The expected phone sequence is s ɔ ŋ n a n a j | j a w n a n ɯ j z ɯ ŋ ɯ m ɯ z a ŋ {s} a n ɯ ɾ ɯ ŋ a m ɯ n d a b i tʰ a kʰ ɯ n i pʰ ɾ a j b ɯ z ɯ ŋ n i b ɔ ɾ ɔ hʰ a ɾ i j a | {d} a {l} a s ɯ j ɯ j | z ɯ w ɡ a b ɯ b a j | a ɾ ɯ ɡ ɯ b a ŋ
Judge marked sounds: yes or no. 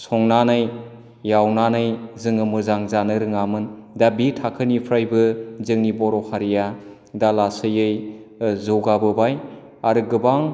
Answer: no, yes, yes

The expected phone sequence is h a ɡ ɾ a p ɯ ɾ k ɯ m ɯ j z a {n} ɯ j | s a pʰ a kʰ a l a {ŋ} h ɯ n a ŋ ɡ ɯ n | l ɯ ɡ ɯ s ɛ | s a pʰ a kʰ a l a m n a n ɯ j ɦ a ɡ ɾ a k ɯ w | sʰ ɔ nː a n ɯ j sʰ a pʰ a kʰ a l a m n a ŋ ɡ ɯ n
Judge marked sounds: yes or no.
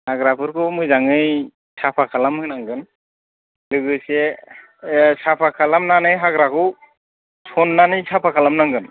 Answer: no, no

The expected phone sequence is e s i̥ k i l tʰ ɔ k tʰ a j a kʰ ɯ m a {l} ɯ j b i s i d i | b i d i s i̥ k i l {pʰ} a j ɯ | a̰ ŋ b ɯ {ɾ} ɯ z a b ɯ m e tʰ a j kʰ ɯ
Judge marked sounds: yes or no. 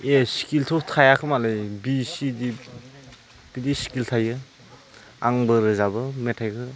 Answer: yes, no, yes

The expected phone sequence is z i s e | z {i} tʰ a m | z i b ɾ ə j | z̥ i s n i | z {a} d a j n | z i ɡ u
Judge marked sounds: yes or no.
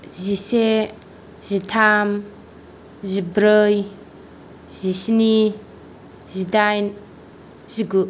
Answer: yes, no

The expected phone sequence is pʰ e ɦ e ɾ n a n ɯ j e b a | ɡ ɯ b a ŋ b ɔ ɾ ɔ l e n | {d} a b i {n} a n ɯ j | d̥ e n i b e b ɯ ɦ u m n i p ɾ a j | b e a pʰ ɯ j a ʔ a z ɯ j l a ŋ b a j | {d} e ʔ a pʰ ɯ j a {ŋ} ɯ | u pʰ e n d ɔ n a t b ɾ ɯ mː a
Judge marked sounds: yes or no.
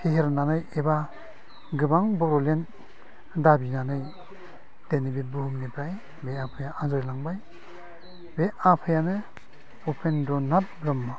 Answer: yes, yes, no, no

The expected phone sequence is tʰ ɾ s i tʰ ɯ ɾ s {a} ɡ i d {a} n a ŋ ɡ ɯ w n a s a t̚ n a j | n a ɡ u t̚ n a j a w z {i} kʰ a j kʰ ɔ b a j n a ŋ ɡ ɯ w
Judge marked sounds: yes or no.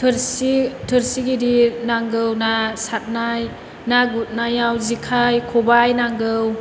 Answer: no, no, yes

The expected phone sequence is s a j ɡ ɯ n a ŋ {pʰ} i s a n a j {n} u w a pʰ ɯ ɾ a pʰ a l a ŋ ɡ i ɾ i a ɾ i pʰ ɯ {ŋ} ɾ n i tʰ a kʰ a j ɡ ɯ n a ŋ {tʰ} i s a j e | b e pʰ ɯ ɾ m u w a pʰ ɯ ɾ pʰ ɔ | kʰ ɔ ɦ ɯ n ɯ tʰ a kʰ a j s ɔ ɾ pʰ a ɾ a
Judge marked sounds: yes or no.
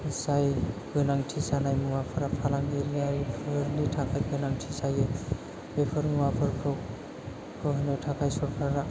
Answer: no, no, no, yes

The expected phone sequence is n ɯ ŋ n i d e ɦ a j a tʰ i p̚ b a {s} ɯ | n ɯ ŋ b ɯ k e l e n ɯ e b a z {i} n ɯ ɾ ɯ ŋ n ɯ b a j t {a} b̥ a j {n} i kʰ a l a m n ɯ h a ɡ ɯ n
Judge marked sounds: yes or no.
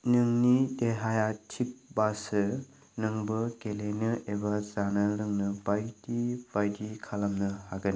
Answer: yes, no, no, no

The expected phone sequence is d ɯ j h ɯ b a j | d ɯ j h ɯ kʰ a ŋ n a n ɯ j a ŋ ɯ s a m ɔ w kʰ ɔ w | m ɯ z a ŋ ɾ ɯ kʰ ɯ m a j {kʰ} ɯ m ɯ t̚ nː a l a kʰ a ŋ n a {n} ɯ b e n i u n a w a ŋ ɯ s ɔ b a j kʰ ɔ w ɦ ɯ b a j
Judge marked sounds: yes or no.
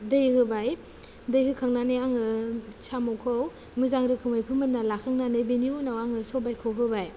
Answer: no, yes

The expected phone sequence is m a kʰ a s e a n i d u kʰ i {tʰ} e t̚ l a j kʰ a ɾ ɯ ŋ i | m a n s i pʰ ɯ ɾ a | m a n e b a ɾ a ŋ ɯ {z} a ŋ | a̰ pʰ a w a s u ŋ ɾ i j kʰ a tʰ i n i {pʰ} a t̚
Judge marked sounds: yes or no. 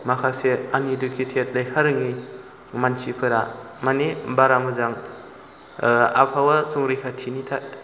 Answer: yes, yes, no

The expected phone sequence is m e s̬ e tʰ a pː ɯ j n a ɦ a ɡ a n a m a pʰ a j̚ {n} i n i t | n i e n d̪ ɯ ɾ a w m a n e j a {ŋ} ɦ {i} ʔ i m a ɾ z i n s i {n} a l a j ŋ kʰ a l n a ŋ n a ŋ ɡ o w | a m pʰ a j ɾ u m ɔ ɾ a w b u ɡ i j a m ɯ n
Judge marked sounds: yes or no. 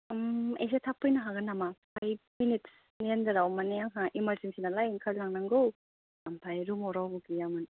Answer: no, yes, no, yes

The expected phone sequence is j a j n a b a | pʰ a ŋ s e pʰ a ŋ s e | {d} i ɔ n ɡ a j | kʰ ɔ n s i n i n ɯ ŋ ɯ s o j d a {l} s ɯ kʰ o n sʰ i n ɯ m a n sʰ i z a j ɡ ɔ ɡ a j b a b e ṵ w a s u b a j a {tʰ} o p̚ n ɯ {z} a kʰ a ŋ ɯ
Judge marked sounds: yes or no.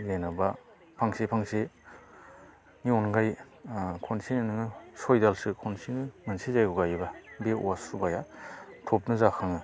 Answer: no, yes, yes, yes

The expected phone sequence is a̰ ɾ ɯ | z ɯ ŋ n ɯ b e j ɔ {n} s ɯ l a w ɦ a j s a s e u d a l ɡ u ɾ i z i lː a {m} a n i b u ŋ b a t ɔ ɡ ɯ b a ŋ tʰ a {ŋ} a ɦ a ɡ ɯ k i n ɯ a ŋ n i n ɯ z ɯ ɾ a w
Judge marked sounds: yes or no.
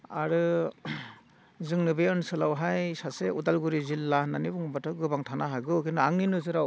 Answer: yes, no, no

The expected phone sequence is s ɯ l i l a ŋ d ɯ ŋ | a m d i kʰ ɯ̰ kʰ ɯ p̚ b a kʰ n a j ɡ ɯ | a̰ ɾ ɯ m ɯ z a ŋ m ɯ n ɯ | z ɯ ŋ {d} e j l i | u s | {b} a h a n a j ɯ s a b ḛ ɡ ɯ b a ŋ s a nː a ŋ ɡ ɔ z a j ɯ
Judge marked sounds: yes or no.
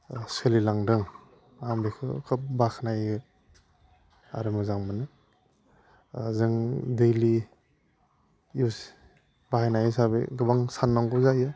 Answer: yes, yes

